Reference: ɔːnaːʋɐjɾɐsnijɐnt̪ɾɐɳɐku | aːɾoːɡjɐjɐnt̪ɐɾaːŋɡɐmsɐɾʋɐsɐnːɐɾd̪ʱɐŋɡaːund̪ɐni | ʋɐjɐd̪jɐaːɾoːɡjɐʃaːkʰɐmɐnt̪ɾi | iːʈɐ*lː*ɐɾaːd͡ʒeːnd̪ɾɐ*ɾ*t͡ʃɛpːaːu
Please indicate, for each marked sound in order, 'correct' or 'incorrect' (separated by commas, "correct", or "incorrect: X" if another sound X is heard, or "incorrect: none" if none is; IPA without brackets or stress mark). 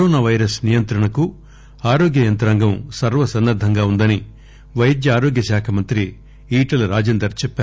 incorrect: l, correct